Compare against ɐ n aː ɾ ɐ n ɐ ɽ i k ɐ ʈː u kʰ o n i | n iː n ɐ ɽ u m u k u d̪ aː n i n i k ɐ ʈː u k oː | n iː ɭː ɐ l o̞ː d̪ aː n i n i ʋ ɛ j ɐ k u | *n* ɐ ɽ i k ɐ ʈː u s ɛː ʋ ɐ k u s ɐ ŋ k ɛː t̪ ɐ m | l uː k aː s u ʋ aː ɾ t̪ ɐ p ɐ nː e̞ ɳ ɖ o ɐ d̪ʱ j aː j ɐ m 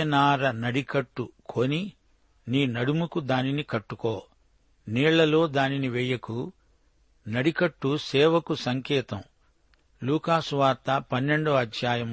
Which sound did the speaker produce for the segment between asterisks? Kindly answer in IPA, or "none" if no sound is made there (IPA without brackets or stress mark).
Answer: n